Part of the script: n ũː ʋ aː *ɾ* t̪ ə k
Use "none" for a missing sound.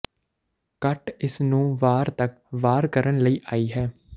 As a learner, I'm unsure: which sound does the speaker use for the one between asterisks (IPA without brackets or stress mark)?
ɾ